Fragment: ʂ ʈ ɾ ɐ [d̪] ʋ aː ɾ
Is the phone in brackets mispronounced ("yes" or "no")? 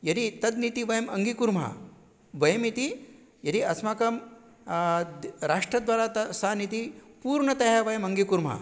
no